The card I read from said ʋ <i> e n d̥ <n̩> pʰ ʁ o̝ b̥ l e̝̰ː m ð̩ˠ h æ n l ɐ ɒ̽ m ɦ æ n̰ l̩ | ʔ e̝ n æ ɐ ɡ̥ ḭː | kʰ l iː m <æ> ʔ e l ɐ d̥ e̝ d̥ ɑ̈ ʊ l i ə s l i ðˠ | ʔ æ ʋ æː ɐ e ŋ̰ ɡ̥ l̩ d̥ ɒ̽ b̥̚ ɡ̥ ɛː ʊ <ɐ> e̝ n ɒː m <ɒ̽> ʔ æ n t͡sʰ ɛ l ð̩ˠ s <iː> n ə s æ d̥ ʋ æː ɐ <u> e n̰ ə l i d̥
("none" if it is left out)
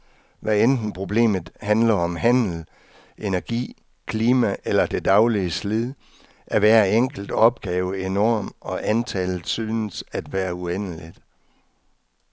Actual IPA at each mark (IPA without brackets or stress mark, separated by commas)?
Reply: æ, n̩, æ, ə, ɒ̽, yː, u